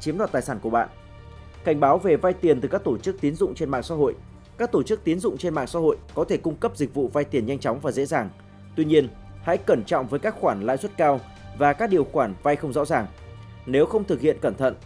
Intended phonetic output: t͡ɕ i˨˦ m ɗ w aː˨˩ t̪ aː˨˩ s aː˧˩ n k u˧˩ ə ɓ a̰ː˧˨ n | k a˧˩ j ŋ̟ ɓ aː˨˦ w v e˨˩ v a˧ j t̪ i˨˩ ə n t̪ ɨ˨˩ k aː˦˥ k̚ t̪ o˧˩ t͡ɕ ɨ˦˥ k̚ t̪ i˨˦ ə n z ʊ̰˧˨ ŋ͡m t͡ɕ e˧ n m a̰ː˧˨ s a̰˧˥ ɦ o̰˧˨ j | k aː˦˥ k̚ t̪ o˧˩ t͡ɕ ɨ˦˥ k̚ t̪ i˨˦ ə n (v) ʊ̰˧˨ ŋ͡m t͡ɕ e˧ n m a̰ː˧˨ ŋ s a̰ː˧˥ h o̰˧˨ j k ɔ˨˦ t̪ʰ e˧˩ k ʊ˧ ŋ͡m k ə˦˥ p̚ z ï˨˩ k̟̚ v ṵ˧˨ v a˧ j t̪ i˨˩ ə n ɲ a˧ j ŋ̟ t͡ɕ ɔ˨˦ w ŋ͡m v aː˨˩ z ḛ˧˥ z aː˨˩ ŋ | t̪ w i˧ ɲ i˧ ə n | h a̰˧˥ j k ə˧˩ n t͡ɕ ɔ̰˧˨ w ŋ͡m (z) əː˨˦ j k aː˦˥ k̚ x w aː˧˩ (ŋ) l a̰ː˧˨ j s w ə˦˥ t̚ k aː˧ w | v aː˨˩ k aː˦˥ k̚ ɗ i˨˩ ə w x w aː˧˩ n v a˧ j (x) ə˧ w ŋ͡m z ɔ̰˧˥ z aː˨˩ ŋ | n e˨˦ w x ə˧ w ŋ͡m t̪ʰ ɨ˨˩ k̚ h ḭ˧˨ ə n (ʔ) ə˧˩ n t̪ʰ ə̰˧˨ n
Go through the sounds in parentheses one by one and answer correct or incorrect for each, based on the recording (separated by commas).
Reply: incorrect, incorrect, incorrect, correct, incorrect